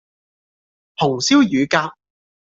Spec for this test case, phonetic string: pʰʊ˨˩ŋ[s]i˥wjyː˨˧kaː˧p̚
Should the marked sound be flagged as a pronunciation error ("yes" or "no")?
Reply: no